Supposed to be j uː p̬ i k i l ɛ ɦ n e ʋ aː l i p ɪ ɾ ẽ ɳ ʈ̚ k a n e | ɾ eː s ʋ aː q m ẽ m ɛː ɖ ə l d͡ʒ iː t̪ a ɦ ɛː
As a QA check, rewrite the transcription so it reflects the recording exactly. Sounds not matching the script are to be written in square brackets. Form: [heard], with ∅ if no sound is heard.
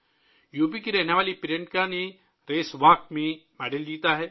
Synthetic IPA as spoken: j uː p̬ i k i [ɾ] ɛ ɦ n e ʋ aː l i p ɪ ɾ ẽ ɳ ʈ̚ k a n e | ɾ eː s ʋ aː [k] m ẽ m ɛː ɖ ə l d͡ʒ iː t̪ a ɦ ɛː